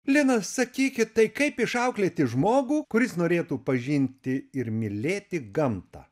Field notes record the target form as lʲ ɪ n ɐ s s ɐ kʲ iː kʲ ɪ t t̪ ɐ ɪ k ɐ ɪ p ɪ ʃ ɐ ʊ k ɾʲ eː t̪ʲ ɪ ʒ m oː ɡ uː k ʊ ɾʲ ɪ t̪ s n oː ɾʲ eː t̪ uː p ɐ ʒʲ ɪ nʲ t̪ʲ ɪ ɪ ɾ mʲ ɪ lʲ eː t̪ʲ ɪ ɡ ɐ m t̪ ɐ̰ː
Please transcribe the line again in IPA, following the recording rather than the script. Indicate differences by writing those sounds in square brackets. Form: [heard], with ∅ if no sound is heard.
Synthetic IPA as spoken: lʲ ɪ n ɐ s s ɐ kʲ iː kʲ ɪ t t̪ ɐ ɪ k ɐ ɪ p ɪ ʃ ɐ ʊ k [lʲ] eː t̪ʲ ɪ ʒ m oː ɡ uː k ʊ ɾʲ ɪ [∅] s n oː ɾʲ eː t̪ uː p ɐ ʒʲ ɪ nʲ t̪ʲ ɪ ɪ ɾ mʲ ɪ lʲ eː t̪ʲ ɪ ɡ ɐ m t̪ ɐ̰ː

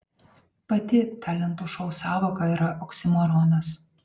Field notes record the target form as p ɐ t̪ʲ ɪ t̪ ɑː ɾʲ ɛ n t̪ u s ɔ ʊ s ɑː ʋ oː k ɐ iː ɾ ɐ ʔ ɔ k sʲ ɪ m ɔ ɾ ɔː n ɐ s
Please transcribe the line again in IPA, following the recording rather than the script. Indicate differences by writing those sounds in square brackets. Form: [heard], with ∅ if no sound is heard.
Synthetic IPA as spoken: p ɐ t̪ʲ ɪ t̪ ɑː [lʲ] ɛ n t̪ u [ʃ] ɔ ʊ s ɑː ʋ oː k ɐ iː ɾ ɐ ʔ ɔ k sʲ ɪ m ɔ ɾ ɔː n ɐ s

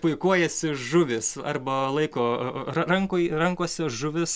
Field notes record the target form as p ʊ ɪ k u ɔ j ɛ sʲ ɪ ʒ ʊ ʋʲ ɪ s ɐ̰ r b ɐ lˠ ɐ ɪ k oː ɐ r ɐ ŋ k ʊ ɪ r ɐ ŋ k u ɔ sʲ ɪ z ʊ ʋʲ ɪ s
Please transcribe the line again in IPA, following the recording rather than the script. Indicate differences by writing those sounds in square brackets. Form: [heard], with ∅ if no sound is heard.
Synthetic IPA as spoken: p ʊ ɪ k u ɔ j ɛ sʲ ɪ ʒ ʊ ʋʲ ɪ s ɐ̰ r b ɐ lˠ ɐ ɪ k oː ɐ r ɐ ŋ k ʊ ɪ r ɐ ŋ k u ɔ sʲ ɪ [ʒ] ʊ ʋʲ ɪ s

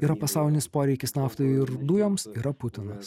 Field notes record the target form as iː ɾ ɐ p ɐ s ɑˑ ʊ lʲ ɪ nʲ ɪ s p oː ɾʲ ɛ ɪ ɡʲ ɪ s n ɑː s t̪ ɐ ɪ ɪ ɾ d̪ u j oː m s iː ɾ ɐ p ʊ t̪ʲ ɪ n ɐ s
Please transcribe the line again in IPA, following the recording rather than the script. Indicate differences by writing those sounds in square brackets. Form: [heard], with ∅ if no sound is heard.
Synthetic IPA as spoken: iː ɾ ɐ p ɐ s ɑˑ ʊ lʲ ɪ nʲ ɪ s p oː ɾʲ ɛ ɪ [kʲ] ɪ s n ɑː [f] t̪ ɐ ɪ ɪ ɾ d̪ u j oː m s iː ɾ ɐ p ʊ t̪ʲ ɪ n ɐ s

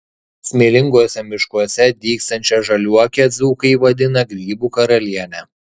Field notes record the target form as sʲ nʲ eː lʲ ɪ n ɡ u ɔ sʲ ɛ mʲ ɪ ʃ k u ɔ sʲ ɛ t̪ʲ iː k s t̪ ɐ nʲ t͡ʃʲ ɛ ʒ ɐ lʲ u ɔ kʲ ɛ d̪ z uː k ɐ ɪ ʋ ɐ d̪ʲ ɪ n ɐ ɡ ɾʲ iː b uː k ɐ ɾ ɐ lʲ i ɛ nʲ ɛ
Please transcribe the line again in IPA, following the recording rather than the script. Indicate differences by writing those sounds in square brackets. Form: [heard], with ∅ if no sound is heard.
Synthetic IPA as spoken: sʲ [mʲ] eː lʲ ɪ [ŋ] ɡ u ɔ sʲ ɛ mʲ ɪ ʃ k u ɔ sʲ ɛ [d̪ʲ] iː k s t̪ ɐ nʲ t͡ʃʲ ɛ ʒ ɐ lʲ u ɔ kʲ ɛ d̪ z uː k ɐ ɪ ʋ ɐ d̪ʲ ɪ n ɐ ɡ ɾʲ iː b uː k ɐ ɾ ɐ lʲ i ɛ nʲ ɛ

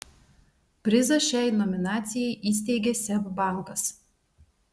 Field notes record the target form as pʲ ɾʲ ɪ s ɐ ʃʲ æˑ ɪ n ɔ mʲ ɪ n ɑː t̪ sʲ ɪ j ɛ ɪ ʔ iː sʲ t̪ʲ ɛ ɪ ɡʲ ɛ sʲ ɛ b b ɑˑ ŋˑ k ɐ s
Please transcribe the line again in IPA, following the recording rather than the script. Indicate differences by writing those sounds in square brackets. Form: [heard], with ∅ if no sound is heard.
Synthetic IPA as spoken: pʲ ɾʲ ɪ [z] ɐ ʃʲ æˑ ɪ n ɔ mʲ ɪ n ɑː t̪ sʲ ɪ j ɛ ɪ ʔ iː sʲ t̪ʲ ɛ ɪ ɡʲ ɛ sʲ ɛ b b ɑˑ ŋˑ k ɐ s

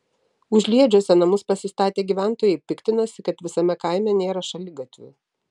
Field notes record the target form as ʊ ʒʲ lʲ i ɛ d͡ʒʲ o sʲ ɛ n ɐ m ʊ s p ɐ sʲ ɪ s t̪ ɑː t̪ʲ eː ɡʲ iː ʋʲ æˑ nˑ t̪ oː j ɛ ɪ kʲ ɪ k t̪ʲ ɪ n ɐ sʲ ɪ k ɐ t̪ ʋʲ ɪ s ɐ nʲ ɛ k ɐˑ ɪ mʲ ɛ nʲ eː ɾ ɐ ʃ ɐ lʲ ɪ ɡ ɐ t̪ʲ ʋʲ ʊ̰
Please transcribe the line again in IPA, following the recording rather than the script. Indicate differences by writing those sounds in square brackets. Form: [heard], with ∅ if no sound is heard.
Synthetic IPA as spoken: ʊ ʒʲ lʲ i ɛ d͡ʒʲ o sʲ ɛ n ɐ m ʊ s p ɐ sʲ ɪ s t̪ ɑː t̪ʲ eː ɡʲ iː ʋʲ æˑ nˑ t̪ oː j ɛ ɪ [pʲ] ɪ k t̪ʲ ɪ n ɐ sʲ ɪ k ɐ t̪ ʋʲ ɪ s ɐ [mʲ] ɛ k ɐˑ ɪ mʲ ɛ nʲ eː ɾ ɐ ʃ ɐ lʲ ɪ ɡ ɐ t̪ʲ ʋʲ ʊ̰

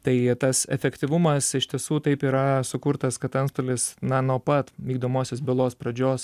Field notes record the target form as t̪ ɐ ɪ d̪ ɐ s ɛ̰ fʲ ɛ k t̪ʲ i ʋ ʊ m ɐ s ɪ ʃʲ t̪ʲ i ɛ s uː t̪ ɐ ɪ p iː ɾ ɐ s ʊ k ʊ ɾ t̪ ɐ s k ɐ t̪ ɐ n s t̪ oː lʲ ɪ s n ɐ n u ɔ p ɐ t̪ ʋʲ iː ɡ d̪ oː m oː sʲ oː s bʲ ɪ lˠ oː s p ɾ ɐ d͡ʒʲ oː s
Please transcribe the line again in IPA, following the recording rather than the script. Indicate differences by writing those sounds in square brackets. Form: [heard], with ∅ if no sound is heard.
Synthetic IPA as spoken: t̪ ɐ ɪ [t̪] ɐ s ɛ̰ fʲ ɛ k t̪ʲ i ʋ ʊ m ɐ s ɪ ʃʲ t̪ʲ i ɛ s uː t̪ ɐ ɪ p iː ɾ ɐ s ʊ k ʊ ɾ t̪ ɐ s k ɐ t̪ ɐ n s t̪ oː lʲ ɪ s n ɐ n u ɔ p ɐ t̪ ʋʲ iː ɡ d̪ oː m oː sʲ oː s bʲ ɪ lˠ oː s p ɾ ɐ d͡ʒʲ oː s

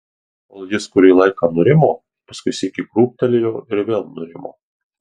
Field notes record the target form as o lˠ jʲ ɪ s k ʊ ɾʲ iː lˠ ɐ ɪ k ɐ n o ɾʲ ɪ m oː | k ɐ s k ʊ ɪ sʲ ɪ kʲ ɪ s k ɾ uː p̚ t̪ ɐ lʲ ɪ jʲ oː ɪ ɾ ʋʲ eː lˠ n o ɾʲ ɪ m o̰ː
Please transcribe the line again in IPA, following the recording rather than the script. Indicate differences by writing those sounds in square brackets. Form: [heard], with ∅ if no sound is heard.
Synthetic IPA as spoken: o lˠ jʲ ɪ s k ʊ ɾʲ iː lˠ ɐ ɪ k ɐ n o ɾʲ ɪ m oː | [p] ɐ s k ʊ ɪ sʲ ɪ kʲ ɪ [∅] k ɾ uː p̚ t̪ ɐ lʲ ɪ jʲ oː ɪ ɾ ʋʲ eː lˠ n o ɾʲ ɪ m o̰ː

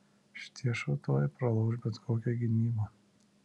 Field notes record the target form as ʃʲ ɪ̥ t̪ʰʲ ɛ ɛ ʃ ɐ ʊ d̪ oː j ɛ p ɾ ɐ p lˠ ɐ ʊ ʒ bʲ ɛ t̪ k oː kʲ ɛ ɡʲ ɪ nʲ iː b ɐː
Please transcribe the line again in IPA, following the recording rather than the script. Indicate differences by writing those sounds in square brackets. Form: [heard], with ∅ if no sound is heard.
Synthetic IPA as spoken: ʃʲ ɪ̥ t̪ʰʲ [i] ɛ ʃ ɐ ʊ [t̪] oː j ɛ p ɾ ɐ [∅] lˠ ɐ ʊ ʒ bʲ ɛ t̪ k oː kʲ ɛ ɡʲ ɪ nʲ iː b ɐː

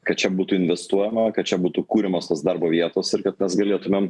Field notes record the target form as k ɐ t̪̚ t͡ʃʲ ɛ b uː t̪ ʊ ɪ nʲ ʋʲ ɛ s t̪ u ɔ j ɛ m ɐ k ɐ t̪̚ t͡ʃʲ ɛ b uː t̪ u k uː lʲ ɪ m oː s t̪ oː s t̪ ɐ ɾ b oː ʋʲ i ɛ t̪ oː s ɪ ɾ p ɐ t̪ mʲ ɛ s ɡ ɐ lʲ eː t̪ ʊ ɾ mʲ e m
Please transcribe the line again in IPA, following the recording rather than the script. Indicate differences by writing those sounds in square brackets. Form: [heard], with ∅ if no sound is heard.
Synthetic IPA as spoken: k ɐ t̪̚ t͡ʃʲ ɛ b uː t̪ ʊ ɪ nʲ ʋʲ ɛ s t̪ u ɔ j ɛ m ɐ k ɐ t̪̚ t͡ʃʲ ɛ b uː t̪ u k uː [ɾʲ] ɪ m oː s t̪ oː s [d̪] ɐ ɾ b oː ʋʲ i ɛ t̪ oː s ɪ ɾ [k] ɐ t̪ mʲ ɛ s ɡ ɐ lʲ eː t̪ ʊ [∅] mʲ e m

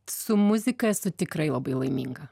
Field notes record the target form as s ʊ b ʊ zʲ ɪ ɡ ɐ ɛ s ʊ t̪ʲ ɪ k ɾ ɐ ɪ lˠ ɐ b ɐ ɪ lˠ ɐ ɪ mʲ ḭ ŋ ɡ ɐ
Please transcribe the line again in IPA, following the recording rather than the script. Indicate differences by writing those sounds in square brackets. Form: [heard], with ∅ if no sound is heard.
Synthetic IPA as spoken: s ʊ [m] ʊ zʲ ɪ [k] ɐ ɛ s ʊ t̪ʲ ɪ k ɾ ɐ ɪ lˠ ɐ b ɐ ɪ lˠ ɐ ɪ mʲ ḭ ŋ ɡ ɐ

